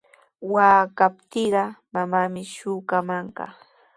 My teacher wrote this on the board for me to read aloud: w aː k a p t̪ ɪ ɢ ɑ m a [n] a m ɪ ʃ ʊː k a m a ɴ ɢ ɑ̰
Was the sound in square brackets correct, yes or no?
no